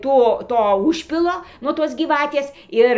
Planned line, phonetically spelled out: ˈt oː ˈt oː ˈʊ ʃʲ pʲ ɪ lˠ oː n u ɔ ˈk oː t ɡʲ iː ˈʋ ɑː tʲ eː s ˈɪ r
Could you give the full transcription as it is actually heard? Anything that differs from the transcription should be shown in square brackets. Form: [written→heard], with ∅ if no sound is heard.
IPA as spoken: ˈt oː ˈt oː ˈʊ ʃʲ pʲ ɪ lˠ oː n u ɔ [ˈk→ˈt] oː [t→s] ɡʲ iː ˈʋ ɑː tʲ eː s ˈɪ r